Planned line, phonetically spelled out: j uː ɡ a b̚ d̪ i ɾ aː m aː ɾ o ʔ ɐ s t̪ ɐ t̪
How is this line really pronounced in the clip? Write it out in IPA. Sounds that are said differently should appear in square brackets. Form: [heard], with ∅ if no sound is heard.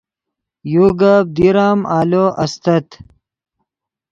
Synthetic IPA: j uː ɡ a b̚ d̪ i ɾ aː m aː [l] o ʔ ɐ s t̪ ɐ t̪